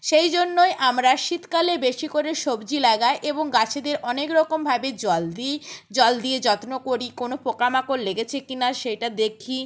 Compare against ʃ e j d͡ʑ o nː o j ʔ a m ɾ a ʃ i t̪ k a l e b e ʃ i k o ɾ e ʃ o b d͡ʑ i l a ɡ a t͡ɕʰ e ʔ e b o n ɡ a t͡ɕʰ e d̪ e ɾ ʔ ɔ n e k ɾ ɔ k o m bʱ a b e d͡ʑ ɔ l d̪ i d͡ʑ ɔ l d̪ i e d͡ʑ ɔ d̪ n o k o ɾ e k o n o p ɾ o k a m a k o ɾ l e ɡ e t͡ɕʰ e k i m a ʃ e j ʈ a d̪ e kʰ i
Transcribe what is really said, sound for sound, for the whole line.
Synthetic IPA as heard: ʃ e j d͡ʑ o nː o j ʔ a m ɾ a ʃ i t̪ k a l e b e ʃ i k o ɾ e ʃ o b d͡ʑ i l a ɡ a e ʔ e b o ŋ ɡ a t͡ɕʰ e d̪ e ɾ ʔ ɔ n e k ɾ ɔ k o m bʱ a b e d͡ʑ ɔ l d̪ i d͡ʑ ɔ l d̪ i e d͡ʑ ɔ t̪ n o k o ɾ i k o n o p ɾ o k a m a k o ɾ l e ɡ e t͡ɕʰ e k i n a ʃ e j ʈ a d̪ e kʰ i

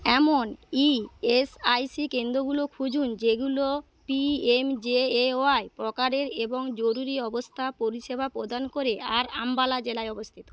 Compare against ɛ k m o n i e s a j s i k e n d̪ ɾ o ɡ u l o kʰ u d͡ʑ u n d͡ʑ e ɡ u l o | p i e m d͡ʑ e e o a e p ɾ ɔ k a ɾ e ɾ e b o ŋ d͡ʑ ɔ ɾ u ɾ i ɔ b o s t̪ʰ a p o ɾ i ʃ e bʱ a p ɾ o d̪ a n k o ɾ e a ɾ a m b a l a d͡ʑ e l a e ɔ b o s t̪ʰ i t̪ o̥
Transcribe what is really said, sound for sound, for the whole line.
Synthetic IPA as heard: ɛ m o n i e s a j s i k e n d̪ ɾ o ɡ u l o kʰ u d͡ʑ u n d͡ʑ e ɡ u l o | p i e m d͡ʑ e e o a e p ɾ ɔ k a ɾ e ɾ e b o ŋ d͡ʑ o ɾ u ɾ i ɔ b o s t̪ʰ a p o ɾ i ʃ e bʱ a p ɾ o d̪ a n k o ɾ e a ɾ a m b a l a d͡ʑ e l a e ɔ b o s t̪ʰ i t̪ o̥

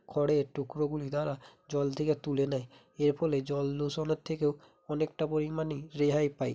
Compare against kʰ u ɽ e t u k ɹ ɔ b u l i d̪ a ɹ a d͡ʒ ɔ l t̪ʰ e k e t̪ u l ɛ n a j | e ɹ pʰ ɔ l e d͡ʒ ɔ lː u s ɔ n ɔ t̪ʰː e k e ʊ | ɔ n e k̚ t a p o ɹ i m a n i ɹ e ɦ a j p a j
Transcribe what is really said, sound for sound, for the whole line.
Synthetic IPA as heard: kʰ ɔ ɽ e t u k ɹ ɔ ɡ u l i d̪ a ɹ a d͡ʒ ɔ l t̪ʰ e k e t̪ u l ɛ n a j | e ɹ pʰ ɔ l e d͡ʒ ɔ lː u s ɔ n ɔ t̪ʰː e k e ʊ | ɔ n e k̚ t a p o ɹ i m a n i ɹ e ɦ a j p a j

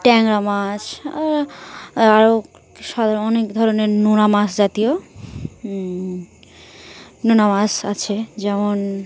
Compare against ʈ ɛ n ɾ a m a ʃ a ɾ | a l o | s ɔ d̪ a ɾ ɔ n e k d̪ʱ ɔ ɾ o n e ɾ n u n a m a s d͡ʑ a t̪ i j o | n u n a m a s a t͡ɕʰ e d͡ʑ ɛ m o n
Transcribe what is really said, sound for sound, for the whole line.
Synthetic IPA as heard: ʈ ɛ ŋ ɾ a m a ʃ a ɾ | a ɾ o | ʃ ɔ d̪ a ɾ ɔ n e k d̪ʱ ɔ ɾ o n e ɾ n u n a m a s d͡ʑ a t̪ i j o | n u n a m a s a t͡ɕʰ e d͡ʑ ɛ m o n

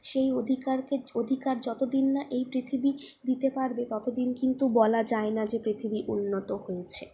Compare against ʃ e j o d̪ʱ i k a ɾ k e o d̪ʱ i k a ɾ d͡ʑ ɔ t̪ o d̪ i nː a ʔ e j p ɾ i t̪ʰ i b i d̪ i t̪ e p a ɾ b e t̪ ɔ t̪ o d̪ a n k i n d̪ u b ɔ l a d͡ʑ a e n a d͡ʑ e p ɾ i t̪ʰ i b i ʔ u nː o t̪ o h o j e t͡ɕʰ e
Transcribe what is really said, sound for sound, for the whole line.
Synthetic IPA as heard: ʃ e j o d̪ʱ i k a ɾ k e o d̪ʱ i k a ɾ d͡ʑ ɔ t̪ o d̪ i nː a ʔ e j p ɾ i t̪ʰ i b i d̪ i t̪ e p a ɾ b e t̪ ɔ t̪ o d̪ i n k i n t̪ u b ɔ l a d͡ʑ a e n a d͡ʑ e p ɾ i t̪ʰ i b i ʔ u nː o t̪ o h o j e t͡ɕʰ e

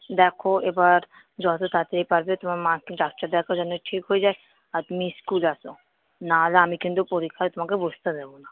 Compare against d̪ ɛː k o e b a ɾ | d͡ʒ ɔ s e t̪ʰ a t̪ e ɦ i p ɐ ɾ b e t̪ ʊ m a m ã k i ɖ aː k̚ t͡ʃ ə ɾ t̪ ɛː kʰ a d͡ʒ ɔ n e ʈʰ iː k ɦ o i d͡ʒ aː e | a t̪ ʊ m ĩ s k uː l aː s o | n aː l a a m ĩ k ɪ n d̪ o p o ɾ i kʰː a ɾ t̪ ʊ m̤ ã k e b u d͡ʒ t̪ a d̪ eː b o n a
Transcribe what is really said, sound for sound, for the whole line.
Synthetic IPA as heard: d̪ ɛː kʰ o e b a ɾ | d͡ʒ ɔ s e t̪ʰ a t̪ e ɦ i p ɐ ɾ b e t̪ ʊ m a m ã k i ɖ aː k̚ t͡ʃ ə ɾ d̪ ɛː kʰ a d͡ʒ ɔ n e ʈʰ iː k ɦ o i d͡ʒ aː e | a t̪ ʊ m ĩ s k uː l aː s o | n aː l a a m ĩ k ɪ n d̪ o p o ɾ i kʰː a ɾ t̪ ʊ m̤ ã k e b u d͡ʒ t̪ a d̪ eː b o n a

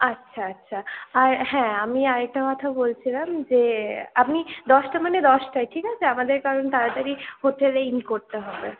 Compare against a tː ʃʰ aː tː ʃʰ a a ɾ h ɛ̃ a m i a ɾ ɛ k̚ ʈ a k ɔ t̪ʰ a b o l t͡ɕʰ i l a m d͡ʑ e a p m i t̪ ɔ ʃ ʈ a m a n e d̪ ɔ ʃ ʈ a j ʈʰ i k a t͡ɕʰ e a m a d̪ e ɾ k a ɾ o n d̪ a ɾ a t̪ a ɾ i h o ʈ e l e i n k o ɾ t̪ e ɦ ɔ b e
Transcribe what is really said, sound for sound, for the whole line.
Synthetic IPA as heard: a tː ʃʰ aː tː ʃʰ a a ɾ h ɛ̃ a m i a ɾ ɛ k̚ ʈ a k ɔ t̪ʰ a b o l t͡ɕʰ i l a m d͡ʑ e a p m i d̪ ɔ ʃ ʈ a m a n e d̪ ɔ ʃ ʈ a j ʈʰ i k a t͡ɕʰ e a m a d̪ e ɾ k a ɾ o n t̪ a ɾ a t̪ a ɾ i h o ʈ e l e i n k o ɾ t̪ e ɦ ɔ b e

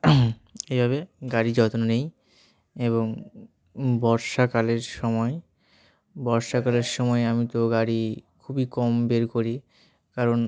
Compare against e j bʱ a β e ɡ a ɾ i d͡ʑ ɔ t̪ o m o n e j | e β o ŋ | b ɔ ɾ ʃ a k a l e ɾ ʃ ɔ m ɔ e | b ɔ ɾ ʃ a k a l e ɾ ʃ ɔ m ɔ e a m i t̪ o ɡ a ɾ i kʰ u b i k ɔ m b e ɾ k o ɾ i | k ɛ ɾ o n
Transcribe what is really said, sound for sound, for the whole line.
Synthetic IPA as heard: e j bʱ a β e ɡ a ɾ i d͡ʑ ɔ t̪ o n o n e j | e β o ŋ | b ɔ ɾ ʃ a k a l e ɾ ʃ ɔ m ɔ e | b ɔ ɾ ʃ a k a l e ɾ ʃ ɔ m ɔ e a m i t̪ o ɡ a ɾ i kʰ u b i k ɔ m b e ɾ k o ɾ i | k a ɾ o n

